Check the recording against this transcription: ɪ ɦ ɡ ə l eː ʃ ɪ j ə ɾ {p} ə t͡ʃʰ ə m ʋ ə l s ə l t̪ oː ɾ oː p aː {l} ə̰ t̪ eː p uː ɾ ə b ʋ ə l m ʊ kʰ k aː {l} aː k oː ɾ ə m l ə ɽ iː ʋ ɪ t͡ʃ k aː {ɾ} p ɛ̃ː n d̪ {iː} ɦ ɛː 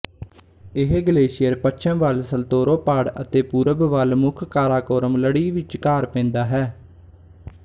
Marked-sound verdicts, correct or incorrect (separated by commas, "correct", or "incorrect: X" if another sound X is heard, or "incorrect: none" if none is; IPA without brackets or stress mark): correct, incorrect: ɽ, incorrect: ɾ, correct, incorrect: aː